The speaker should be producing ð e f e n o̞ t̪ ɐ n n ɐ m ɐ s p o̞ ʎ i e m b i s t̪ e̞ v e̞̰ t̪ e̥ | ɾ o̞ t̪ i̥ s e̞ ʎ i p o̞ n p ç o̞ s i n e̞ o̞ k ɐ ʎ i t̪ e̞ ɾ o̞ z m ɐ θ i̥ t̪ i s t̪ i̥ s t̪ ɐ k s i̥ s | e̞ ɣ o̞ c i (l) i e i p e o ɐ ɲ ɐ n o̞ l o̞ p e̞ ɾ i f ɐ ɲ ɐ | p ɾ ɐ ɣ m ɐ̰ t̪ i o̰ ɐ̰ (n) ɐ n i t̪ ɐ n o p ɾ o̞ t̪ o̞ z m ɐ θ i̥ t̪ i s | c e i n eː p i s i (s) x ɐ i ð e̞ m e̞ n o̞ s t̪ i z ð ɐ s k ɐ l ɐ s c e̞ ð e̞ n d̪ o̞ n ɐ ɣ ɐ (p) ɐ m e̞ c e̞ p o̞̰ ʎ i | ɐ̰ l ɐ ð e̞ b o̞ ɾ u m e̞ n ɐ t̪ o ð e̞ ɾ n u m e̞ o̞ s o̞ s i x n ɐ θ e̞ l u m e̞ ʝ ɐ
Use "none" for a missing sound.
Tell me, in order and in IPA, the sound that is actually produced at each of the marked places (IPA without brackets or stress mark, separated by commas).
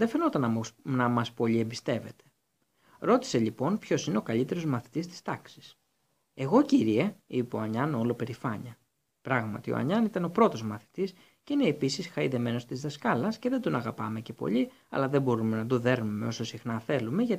ɾ, ɲ, s, p